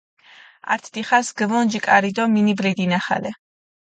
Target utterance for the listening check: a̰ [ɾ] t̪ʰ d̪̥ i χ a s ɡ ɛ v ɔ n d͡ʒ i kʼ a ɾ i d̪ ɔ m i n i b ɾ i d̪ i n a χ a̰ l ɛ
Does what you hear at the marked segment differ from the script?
no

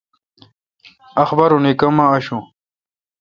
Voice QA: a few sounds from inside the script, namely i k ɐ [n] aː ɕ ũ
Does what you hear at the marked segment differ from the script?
yes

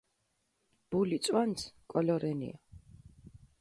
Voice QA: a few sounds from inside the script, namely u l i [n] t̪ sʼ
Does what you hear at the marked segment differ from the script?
yes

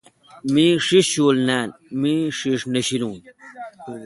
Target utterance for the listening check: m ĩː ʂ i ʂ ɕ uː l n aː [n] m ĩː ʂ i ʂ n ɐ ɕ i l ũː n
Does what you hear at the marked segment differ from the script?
no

